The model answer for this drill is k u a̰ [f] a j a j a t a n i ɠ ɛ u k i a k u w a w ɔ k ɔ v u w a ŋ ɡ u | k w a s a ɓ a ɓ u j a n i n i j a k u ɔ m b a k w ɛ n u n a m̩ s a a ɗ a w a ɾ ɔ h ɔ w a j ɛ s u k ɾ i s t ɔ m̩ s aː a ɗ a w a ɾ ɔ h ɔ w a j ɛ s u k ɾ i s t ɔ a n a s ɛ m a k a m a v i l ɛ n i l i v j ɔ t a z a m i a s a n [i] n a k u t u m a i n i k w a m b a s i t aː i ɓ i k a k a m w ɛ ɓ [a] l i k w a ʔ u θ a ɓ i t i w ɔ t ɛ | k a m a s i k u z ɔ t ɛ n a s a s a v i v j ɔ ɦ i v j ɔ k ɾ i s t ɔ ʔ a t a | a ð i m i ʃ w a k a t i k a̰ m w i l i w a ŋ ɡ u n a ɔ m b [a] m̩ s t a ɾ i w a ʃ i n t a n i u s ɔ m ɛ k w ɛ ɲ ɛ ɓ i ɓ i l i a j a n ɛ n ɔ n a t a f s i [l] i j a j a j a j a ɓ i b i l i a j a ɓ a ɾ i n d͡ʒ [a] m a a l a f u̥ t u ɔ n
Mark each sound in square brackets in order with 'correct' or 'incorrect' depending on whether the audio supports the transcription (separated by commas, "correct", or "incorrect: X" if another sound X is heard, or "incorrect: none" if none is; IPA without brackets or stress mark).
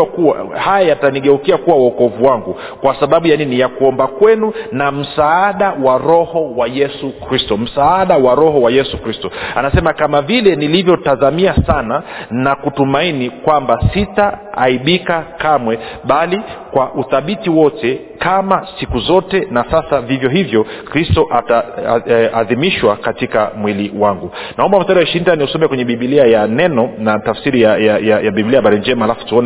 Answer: incorrect: h, incorrect: a, correct, correct, incorrect: ɾ, incorrect: ɛ